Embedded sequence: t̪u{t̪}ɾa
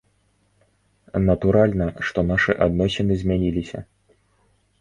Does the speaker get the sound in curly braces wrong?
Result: yes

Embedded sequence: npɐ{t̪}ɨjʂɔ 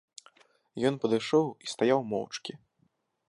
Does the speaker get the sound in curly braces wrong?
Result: yes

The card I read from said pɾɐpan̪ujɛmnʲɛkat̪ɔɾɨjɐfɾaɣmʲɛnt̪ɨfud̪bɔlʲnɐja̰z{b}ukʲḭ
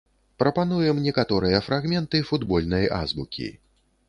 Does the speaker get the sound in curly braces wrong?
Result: no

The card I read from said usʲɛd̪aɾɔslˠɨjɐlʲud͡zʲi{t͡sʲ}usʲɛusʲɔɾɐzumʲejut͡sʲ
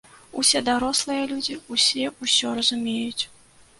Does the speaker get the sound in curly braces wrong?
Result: yes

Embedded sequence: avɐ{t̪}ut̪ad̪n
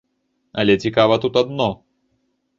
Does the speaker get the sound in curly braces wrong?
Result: no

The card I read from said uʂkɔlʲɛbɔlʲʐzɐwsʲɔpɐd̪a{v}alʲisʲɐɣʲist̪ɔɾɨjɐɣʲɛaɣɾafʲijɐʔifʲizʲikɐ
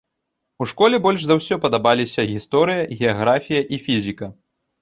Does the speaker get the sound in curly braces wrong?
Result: yes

